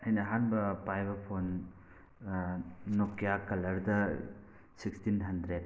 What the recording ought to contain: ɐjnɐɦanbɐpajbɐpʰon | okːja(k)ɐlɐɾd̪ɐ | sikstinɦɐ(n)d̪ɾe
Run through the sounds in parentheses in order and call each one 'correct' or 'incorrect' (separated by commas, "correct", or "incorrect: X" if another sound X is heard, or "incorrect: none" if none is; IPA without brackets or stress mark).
correct, correct